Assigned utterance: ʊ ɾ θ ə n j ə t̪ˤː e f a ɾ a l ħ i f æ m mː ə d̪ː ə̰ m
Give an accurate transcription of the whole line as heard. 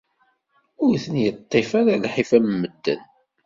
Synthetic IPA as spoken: ʊ ɾ θ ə n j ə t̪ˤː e f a ɾ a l ħ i f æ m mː ə d̪ː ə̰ n